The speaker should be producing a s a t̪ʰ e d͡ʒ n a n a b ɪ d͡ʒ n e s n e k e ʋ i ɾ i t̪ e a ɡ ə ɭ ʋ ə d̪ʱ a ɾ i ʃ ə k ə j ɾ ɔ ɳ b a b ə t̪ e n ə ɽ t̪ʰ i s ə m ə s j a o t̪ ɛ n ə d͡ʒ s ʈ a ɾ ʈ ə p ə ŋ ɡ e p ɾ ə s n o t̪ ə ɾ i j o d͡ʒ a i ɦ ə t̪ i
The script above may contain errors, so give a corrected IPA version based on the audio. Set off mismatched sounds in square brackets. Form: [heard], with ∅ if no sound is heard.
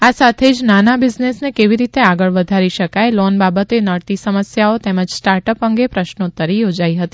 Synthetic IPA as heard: a s a t̪ʰ e d͡ʒ n a n a b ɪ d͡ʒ n e s n e k e ʋ i ɾ i t̪ e a ɡ ə ɭ ʋ ə d̪ʱ a ɾ i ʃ ə k [a] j [l] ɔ [n] b a b ə t̪ e n ə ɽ [t̪] i s ə m ə s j a o t̪ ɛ [m] ə d͡ʒ s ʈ a ɾ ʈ ə p ə ŋ ɡ e p ɾ ə [ʃ] n o t̪ ə ɾ i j o d͡ʒ a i ɦ ə t̪ i

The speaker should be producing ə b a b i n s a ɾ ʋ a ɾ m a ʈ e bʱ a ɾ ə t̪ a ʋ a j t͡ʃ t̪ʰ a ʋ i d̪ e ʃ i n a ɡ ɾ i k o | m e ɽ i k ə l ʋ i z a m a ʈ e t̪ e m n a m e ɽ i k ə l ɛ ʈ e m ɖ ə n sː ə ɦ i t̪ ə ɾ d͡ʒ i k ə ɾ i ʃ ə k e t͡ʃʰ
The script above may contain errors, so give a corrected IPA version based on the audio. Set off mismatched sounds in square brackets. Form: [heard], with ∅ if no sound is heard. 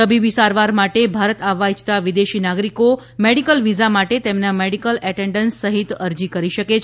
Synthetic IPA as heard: ə b [i] b i [∅] s a ɾ ʋ a ɾ m a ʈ e bʱ a ɾ ə t̪ a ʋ a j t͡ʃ [t̪] a ʋ i d̪ e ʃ i n a ɡ ɾ i k o | m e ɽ i k ə l ʋ i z a m a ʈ e t̪ e m n a m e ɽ i k ə l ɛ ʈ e [ɳ] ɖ ə n sː ə ɦ i t̪ ə ɾ d͡ʒ i k ə ɾ i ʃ ə k e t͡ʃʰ

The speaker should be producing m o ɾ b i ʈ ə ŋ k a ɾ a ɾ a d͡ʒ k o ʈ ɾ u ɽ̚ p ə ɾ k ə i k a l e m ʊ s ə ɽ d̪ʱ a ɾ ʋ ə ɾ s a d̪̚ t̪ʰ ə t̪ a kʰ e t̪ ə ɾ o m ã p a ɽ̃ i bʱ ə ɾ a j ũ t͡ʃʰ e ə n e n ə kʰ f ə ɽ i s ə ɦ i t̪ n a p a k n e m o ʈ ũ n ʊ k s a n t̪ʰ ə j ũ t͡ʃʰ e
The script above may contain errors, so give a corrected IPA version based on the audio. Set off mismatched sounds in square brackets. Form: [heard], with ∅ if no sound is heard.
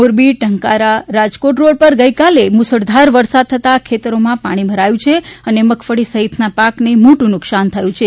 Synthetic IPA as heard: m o ɾ b i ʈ ə ŋ k a ɾ a ɾ a d͡ʒ k o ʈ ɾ [o] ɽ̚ p ə ɾ [ɡ] ə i k a l e m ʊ s ə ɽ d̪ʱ a ɾ ʋ ə ɾ s a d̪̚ t̪ʰ ə t̪ a kʰ e t̪ ə ɾ o m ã p a ɽ̃ i bʱ ə ɾ a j ũ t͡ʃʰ e ə n e [m] ə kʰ f ə ɽ i s ə ɦ i t̪ n a p a k n e m o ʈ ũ n ʊ k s a n t̪ʰ ə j ũ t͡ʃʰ e

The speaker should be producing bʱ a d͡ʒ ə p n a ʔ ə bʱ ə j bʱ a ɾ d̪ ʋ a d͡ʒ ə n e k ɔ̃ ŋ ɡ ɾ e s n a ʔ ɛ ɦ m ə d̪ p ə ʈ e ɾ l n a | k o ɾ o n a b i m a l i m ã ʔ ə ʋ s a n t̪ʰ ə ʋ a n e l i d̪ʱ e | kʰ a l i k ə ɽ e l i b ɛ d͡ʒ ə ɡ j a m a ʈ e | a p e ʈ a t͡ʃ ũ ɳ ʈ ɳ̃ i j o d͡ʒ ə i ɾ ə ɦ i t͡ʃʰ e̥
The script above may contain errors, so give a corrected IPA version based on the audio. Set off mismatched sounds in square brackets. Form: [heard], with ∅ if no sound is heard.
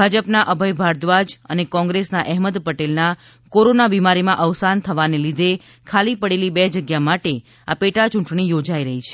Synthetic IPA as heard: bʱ a d͡ʒ ə p n a ʔ ə bʱ ə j bʱ a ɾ d̪ ʋ a d͡ʒ ə n e k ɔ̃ ŋ ɡ ɾ e s n a ʔ ɛ ɦ m ə d̪ p ə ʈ e [∅] l n a | k o ɾ o n a b i m a [ɾ] i m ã ʔ ə ʋ s a n t̪ʰ ə ʋ a n e l i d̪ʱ e | kʰ a l i [p] ə ɽ e l i b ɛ d͡ʒ ə ɡ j a m a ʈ e | a p e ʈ a t͡ʃ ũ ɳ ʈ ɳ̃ i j o d͡ʒ [a] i ɾ ə ɦ i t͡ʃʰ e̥

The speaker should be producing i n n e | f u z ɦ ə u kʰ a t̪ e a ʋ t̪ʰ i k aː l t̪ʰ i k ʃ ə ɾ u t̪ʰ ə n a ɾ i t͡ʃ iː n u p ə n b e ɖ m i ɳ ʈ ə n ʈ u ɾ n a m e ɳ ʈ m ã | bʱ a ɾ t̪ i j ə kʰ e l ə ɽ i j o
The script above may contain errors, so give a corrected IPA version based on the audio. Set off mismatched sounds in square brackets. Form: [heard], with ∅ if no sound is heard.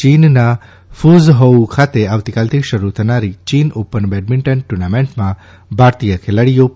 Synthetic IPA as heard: i n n [a] | f u z ɦ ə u kʰ a t̪ e a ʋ [t̪] i k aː l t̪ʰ i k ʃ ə ɾ u t̪ʰ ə n a ɾ i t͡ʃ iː n [o] p ə n b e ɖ m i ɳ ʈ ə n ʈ u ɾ n a m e ɳ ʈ m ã | bʱ a ɾ t̪ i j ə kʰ e l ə ɽ i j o

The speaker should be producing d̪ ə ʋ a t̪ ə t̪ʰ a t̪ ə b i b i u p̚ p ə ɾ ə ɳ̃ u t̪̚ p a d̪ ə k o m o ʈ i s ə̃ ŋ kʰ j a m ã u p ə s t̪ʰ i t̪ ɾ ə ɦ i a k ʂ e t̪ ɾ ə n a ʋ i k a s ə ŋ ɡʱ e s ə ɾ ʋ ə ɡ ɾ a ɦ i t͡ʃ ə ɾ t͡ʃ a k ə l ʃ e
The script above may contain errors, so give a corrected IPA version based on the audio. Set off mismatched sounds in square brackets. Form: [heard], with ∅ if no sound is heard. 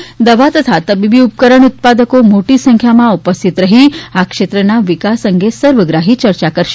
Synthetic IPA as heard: d̪ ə ʋ a t̪ ə t̪ʰ a t̪ ə b i b i u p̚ [k] ə ɾ ə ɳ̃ u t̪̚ p a d̪ ə k o m o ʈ i s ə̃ ŋ kʰ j a m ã u p ə s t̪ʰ i t̪ ɾ ə ɦ i a k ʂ e t̪ ɾ ə n a ʋ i k a s ə ŋ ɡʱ e s ə ɾ ʋ ə ɡ ɾ a ɦ i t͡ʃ ə ɾ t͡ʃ a k ə [ɾ] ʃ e

